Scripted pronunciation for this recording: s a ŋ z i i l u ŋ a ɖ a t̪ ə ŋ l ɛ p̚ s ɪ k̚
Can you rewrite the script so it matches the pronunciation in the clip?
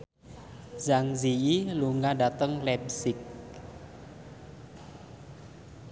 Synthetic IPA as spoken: z a ŋ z i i l u ŋ a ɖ a t̪ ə ŋ l ɛ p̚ s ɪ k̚